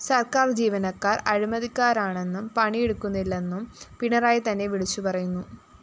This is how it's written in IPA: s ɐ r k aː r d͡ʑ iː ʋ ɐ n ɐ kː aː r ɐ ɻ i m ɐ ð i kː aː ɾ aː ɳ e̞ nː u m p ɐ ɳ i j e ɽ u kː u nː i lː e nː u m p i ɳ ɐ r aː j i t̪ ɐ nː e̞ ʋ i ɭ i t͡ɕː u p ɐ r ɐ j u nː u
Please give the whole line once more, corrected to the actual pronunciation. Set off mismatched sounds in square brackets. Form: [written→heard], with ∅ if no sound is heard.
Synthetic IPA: s ɐ r k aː r d͡ʑ iː ʋ ɐ n ɐ kː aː r ɐ ɻ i m ɐ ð i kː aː ɾ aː ɳ e̞ nː u m p ɐ ɳ i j e ɽ u kː u nː i lː e nː u m p i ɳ ɐ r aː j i t̪ ɐ nː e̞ ʋ i ɭ i t͡ɕː u p ɐ r ɐ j u nː u

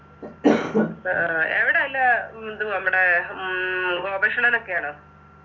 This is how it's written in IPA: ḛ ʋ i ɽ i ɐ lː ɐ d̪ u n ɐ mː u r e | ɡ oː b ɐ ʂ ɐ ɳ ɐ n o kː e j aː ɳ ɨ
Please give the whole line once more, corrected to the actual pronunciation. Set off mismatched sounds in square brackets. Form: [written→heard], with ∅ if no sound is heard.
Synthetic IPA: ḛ ʋ i ɽ [i→e] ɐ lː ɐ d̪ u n ɐ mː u [r→ɽ] e | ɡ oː b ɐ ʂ ɐ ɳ ɐ n o kː e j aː ɳ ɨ

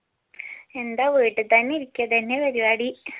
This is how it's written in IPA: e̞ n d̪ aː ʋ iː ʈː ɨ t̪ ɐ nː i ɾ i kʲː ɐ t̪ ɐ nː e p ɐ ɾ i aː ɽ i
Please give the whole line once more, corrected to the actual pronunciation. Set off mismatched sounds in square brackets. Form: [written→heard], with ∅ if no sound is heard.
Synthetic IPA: e̞ n d̪ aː ʋ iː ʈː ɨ t̪ ɐ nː i ɾ i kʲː ɐ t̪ ɐ nː e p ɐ ɾ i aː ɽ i

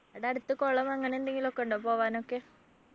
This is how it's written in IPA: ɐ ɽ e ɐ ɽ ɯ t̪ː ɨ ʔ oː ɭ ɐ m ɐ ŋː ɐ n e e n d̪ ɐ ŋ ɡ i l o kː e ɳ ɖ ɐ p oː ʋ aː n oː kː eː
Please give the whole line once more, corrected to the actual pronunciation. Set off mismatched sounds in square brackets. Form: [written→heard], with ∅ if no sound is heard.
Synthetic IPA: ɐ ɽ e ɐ ɽ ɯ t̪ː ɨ [ʔ→k] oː ɭ ɐ m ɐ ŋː ɐ n e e n d̪ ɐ ŋ ɡ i l o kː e ɳ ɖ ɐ p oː ʋ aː n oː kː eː

